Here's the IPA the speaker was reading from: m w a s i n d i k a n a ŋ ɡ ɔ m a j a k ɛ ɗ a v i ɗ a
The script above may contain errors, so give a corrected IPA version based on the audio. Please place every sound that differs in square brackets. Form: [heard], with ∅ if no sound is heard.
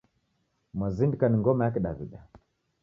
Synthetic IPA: m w a [z] i n d i k a n [i] ŋ ɡ ɔ m a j a k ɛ ɗ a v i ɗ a